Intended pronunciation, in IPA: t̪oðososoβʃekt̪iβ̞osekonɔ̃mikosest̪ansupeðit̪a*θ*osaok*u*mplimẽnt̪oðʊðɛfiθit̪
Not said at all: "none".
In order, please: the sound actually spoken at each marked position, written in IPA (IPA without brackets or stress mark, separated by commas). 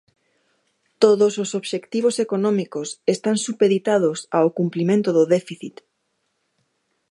ð, u